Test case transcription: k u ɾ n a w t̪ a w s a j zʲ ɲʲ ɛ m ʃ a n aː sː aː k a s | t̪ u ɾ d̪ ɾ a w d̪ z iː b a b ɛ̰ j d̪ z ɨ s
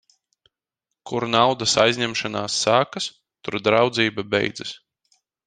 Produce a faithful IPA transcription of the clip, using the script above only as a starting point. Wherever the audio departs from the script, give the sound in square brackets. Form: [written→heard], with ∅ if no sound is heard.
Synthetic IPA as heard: k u ɾ n a w [t̪→d̪] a [w→∅] s a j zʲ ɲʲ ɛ m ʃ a n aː sː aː k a s | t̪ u ɾ d̪ ɾ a w d̪ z iː b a b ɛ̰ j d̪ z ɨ s